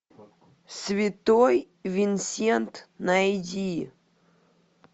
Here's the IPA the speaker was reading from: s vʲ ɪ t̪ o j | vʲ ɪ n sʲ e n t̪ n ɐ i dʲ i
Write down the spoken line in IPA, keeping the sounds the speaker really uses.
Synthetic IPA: s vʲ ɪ t̪ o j | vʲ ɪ n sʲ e n t̪ n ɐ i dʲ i